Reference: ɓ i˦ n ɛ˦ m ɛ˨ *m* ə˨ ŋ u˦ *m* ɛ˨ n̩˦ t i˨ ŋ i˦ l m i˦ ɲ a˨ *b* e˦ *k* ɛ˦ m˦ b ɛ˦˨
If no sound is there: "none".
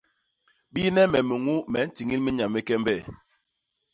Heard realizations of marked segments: m, m, m, k

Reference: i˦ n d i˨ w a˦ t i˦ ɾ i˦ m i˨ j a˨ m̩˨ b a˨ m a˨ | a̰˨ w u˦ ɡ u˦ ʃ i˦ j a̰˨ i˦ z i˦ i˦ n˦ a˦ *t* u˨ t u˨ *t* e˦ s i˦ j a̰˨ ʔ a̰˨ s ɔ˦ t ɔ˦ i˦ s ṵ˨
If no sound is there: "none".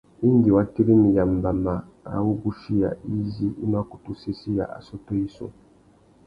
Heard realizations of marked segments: k, s

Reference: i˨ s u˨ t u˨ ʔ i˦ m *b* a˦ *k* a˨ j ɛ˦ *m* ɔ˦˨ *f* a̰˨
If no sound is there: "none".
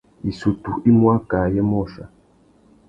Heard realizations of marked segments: w, k, m, ʃ

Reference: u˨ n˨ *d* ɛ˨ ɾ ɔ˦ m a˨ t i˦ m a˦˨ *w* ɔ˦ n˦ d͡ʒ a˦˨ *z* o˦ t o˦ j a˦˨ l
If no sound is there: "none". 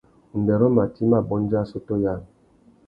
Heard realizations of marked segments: d, b, s

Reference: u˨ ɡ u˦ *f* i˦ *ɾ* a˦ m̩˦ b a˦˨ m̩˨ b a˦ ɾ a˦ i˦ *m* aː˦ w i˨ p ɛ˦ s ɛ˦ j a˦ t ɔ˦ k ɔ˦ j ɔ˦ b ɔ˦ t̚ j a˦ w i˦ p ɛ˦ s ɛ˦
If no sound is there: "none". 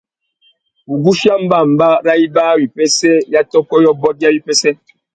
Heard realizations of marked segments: ʃ, none, b

